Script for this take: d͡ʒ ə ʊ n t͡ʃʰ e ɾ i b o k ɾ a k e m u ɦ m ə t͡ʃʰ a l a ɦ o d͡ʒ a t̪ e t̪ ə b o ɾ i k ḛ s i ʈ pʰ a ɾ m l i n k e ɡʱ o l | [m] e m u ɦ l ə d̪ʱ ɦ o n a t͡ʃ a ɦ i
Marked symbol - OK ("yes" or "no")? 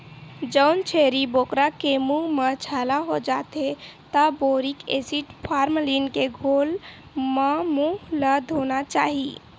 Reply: yes